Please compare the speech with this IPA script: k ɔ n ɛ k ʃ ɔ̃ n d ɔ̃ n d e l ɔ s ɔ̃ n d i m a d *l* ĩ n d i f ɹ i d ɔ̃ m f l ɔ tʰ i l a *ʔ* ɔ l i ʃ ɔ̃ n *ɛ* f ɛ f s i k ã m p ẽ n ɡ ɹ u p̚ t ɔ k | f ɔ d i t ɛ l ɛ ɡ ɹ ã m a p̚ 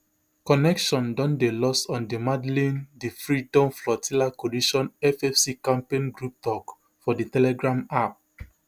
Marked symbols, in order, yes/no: yes, no, yes

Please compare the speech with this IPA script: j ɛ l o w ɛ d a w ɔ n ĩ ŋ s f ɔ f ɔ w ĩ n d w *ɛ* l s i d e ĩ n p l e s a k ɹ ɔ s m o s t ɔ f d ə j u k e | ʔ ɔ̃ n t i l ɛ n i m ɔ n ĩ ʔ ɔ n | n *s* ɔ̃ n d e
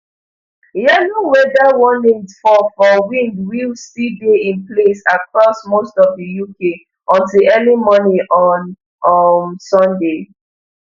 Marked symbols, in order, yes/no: no, yes

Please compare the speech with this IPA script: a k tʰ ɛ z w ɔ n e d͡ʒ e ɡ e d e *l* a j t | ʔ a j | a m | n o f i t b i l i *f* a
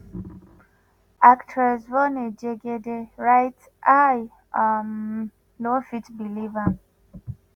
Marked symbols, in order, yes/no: no, no

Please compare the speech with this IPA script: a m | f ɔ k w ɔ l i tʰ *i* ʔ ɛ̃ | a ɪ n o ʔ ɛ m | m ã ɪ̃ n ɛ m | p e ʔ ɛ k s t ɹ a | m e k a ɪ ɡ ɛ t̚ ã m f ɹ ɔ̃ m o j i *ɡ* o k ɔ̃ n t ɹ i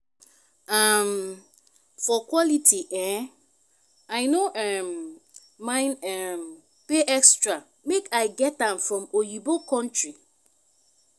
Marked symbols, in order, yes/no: yes, no

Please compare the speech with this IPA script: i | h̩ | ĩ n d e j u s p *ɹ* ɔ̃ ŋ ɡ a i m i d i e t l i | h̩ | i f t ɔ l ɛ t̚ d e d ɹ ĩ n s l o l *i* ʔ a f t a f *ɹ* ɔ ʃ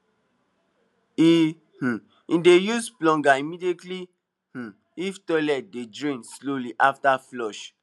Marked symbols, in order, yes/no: no, yes, no

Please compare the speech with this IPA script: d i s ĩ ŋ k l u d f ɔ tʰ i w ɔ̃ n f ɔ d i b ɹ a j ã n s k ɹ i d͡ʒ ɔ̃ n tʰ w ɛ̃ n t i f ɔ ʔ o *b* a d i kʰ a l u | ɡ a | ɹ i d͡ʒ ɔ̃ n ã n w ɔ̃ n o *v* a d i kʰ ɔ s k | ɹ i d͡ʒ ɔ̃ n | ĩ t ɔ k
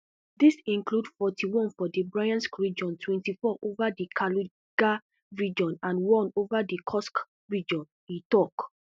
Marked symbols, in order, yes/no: no, yes

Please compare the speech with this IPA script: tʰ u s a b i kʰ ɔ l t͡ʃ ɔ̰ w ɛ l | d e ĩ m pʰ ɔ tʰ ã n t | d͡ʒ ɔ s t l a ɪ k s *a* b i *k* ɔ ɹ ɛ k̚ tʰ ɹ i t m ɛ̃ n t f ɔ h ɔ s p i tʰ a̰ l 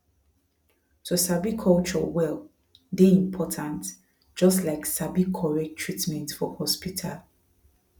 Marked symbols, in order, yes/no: yes, no

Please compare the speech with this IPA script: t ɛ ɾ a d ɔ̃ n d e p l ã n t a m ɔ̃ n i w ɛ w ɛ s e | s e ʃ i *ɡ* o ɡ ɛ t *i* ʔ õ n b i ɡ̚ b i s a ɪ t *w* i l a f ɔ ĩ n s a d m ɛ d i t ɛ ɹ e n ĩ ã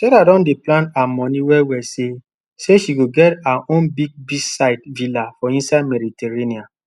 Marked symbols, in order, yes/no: yes, no, no

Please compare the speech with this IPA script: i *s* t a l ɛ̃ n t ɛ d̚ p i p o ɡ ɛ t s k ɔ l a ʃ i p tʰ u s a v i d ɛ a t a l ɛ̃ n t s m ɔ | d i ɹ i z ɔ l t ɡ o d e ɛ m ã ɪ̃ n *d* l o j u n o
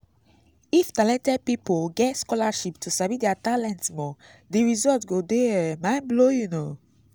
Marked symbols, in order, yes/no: no, no

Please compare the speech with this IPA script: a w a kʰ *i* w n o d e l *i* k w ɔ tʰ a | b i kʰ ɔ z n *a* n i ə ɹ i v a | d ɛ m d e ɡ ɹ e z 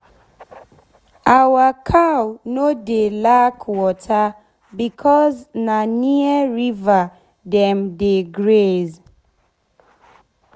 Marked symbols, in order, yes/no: no, no, yes

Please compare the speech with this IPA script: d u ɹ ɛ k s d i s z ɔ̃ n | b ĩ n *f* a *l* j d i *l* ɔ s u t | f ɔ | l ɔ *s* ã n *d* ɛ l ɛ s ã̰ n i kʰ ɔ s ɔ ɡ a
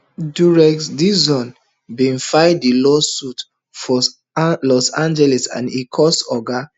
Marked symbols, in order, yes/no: yes, no, yes, yes, no

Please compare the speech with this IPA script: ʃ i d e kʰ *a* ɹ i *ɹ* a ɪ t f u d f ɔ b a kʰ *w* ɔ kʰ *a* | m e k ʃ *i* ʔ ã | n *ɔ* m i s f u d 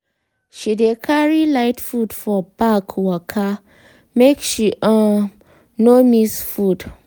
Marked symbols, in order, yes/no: yes, no, yes, yes, yes, no

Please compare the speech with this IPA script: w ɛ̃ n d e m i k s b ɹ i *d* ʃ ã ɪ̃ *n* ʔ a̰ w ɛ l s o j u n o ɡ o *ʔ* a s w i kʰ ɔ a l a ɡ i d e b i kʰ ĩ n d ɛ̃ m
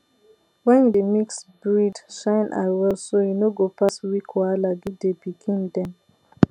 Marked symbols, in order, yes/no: yes, yes, no

